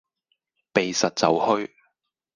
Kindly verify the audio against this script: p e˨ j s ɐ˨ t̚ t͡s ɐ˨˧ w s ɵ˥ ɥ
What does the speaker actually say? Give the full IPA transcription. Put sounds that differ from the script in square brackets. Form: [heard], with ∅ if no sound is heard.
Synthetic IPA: p e˨ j s ɐ˨ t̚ t͡s ɐ˨˧ w [h] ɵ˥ ɥ